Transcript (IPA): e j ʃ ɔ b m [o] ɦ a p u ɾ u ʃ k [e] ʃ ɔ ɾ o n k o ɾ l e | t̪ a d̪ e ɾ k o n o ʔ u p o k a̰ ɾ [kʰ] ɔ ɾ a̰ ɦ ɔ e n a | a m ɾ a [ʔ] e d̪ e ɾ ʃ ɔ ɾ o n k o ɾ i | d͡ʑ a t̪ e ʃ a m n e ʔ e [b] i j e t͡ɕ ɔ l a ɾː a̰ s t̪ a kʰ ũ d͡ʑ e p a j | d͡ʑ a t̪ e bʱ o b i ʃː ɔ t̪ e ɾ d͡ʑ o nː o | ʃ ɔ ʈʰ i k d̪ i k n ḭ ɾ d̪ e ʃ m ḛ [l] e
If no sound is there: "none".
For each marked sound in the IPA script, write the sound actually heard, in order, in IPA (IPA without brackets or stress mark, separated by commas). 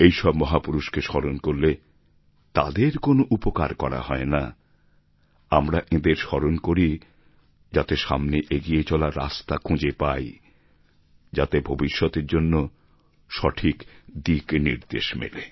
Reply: ɔ, e, k, ʔ, ɡ, l